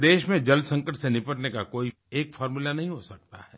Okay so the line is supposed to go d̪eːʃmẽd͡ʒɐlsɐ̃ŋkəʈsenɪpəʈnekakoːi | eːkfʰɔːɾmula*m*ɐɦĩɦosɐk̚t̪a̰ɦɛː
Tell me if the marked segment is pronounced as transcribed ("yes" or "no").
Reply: no